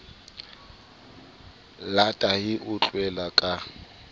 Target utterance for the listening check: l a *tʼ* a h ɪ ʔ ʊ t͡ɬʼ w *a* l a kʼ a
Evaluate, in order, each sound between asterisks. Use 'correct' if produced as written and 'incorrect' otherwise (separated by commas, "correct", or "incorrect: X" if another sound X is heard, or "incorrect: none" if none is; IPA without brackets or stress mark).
correct, incorrect: ɛ